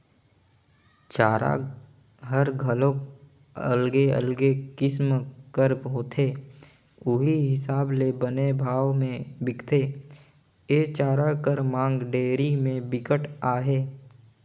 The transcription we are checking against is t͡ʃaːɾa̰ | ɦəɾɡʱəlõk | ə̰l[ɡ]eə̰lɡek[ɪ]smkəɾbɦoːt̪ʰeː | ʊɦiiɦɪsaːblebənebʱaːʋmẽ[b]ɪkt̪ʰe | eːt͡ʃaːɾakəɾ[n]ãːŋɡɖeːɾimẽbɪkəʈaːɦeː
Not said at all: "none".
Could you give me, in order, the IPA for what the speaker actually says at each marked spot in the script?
ɡ, ɪ, b, m

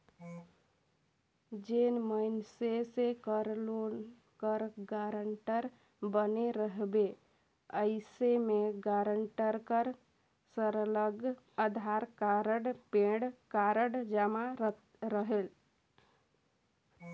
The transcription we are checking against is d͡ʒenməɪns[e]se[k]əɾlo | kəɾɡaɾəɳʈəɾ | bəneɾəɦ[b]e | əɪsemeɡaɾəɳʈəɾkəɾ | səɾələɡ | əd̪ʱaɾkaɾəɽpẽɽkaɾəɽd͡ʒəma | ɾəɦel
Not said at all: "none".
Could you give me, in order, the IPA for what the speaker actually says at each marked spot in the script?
e, k, b

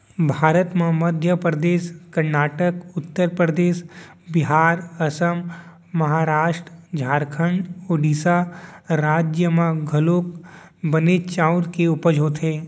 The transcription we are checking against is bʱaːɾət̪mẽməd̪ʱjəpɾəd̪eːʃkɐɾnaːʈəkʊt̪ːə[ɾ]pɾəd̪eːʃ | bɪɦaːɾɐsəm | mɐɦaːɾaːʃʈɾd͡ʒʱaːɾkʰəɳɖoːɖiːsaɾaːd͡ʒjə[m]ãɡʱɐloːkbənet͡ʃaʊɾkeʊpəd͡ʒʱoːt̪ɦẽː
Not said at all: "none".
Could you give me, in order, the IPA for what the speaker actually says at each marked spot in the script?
ɾ, m

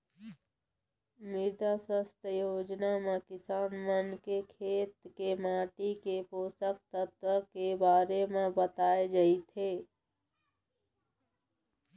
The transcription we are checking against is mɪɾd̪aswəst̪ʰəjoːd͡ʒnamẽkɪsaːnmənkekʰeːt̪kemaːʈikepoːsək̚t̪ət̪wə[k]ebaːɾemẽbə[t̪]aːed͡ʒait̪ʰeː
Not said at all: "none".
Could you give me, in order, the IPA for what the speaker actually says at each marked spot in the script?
k, t̪

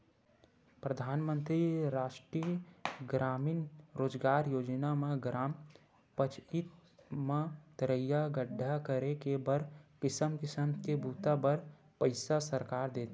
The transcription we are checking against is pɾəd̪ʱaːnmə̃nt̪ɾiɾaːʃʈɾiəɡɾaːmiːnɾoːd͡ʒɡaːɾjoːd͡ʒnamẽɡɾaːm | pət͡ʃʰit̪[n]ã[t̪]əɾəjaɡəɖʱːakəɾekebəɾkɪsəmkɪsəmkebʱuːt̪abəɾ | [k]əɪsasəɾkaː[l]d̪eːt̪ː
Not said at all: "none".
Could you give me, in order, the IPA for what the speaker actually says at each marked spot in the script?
m, t̪, p, ɾ

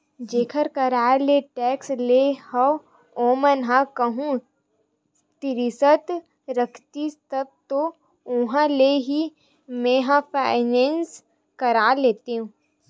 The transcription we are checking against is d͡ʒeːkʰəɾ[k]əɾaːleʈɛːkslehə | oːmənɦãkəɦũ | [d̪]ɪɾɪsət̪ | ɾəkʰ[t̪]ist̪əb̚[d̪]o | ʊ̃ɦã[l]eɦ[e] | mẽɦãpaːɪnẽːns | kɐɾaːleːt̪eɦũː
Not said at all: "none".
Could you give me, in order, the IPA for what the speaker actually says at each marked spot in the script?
k, t̪, t̪, t̪, l, i

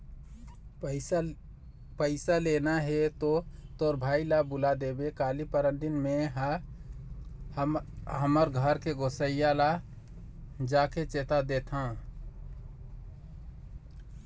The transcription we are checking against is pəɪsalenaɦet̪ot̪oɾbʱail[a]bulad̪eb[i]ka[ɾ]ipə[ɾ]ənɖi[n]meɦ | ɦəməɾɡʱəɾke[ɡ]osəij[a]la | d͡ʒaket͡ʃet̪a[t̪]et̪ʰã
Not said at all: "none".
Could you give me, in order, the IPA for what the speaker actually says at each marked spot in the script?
a, e, l, ɾ, n, ɡ, a, d̪

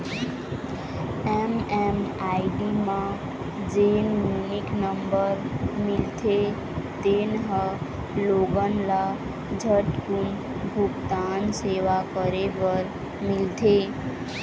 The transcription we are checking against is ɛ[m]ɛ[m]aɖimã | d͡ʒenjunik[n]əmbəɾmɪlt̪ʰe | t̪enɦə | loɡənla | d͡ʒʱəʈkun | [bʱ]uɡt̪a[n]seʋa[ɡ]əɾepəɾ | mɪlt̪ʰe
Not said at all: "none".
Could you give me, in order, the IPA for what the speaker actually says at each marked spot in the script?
m, m, n, bʱ, n, k

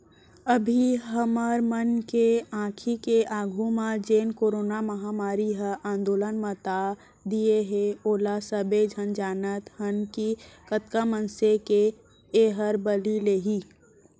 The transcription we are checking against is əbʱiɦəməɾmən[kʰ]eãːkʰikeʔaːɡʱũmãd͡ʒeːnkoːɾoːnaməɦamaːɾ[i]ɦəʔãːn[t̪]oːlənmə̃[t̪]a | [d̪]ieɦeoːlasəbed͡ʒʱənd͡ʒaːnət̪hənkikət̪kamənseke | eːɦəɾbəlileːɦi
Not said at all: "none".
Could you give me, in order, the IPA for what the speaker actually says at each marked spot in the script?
k, i, d̪, t̪, d̪

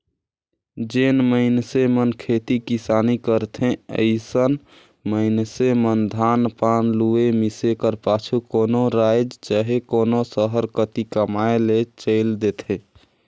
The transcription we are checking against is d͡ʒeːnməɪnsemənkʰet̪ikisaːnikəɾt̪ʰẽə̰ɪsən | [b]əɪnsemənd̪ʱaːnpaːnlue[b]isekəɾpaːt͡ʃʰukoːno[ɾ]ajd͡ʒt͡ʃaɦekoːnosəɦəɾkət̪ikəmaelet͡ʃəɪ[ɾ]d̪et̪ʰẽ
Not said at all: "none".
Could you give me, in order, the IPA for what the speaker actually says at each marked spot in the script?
m, m, ɾ, l

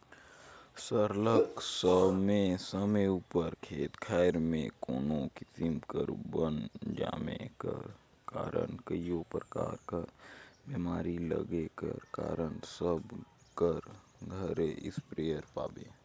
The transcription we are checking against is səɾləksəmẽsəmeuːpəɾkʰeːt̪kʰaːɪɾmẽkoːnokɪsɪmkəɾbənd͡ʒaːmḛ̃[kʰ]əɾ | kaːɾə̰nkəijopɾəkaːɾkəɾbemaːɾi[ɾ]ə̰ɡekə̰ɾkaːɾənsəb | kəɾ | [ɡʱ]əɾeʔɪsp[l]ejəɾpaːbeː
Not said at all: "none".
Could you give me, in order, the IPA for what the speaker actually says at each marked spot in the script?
k, l, ɡʱ, ɾ

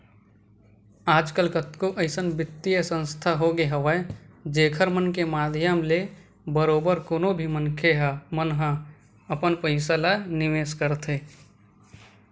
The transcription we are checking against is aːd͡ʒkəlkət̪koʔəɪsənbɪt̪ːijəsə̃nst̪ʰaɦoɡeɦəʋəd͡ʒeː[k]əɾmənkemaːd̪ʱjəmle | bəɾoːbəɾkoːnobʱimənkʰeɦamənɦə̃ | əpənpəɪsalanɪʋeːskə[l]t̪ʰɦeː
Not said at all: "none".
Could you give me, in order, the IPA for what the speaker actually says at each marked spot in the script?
kʰ, ɾ

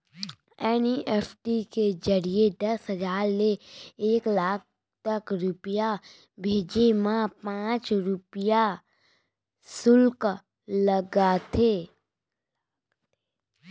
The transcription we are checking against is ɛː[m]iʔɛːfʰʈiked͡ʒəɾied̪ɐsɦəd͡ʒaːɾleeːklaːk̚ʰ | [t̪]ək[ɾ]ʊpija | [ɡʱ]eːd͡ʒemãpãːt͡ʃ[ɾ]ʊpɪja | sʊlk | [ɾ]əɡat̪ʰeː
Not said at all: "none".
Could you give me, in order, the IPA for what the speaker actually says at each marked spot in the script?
n, t̪, ɾ, bʱ, ɾ, l

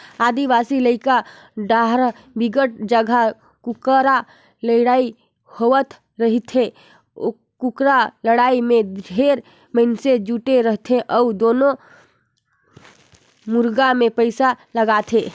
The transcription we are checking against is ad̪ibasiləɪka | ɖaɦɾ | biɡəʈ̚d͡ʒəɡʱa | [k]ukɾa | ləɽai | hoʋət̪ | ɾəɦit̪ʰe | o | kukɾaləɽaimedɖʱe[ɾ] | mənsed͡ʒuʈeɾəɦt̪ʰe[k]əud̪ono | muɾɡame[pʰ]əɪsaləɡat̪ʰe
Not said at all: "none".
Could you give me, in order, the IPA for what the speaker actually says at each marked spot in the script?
k, ɾ, ʔ, p

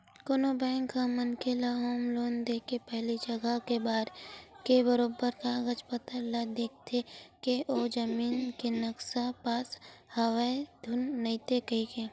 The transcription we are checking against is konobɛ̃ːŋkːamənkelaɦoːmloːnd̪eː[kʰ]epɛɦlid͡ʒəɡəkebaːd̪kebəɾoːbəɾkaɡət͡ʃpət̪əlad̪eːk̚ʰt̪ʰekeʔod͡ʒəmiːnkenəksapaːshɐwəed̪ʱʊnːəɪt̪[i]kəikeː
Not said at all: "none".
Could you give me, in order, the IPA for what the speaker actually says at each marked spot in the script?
k, e

